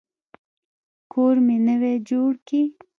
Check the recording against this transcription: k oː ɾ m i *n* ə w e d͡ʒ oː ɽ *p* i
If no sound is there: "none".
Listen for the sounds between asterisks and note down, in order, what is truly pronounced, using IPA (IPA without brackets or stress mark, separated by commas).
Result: n, k